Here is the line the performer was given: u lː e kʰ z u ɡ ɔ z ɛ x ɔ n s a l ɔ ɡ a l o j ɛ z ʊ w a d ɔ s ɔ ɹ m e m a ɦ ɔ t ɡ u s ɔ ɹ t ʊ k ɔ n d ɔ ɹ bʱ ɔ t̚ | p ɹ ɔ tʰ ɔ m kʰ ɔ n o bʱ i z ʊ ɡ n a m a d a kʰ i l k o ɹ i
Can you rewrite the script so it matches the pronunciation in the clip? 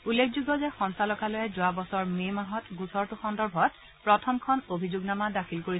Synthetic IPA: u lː e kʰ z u ɡ ɔ z ɛ x ɔ n s a l ɔ k a l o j ɛ z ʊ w a b ɔ s ɔ ɹ m e m a ɦ ɔ t ɡ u s ɔ ɹ t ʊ x ɔ n d ɔ ɹ bʱ ɔ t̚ | p ɹ ɔ tʰ ɔ m kʰ ɔ n o bʱ i z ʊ ɡ n a m a d a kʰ i l k o ɹ i